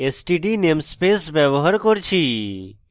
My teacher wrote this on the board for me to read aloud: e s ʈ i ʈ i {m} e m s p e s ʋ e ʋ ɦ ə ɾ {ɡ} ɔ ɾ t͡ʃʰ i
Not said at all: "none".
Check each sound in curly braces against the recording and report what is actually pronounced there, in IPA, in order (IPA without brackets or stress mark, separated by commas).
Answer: n, k